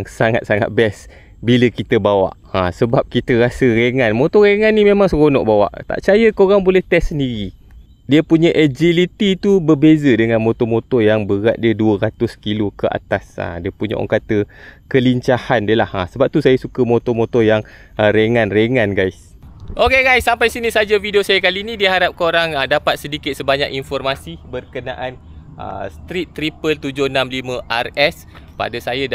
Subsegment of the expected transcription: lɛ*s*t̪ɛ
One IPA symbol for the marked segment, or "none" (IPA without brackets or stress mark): h